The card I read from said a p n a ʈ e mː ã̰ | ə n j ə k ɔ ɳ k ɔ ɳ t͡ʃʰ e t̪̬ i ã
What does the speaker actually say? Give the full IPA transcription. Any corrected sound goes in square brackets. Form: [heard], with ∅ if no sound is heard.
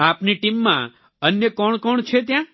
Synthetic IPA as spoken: a p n [i] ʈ [i] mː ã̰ | ə n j ə k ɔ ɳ k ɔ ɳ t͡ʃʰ e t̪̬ [j] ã

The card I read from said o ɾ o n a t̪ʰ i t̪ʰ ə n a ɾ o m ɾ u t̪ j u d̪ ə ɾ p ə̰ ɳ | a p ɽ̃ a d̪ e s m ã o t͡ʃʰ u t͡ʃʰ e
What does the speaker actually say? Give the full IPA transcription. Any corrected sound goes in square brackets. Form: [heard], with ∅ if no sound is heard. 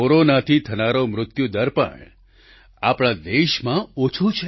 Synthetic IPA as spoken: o ɾ o n a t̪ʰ i t̪ʰ ə n a ɾ o m ɾ [ʊ] t̪ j u d̪ ə ɾ p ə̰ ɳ | a p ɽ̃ a d̪ e [ʃ] m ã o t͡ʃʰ u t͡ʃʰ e

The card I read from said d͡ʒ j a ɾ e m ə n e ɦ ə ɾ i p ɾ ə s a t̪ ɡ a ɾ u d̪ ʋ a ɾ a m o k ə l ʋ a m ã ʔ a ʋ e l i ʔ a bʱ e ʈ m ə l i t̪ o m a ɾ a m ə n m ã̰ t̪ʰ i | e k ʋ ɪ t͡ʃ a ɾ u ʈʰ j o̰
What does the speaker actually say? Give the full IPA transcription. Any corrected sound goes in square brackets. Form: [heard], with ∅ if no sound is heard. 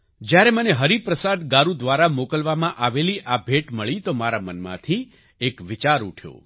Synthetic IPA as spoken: d͡ʒ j a ɾ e m ə n e ɦ ə ɾ i p ɾ ə s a [d̪] ɡ a ɾ u d̪ ʋ a ɾ a m o k ə l ʋ a m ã ʔ a ʋ e l i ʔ a bʱ e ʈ m ə [ɭ] i t̪ o m a ɾ a m ə n m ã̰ t̪ʰ i | e k ʋ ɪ t͡ʃ a ɾ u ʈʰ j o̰

